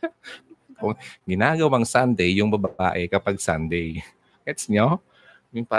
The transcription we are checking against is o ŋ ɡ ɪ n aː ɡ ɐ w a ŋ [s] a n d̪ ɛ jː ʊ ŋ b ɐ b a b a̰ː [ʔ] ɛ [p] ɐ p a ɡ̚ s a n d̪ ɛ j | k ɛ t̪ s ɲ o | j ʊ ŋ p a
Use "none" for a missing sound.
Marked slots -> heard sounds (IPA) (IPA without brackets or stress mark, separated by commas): s, ʔ, k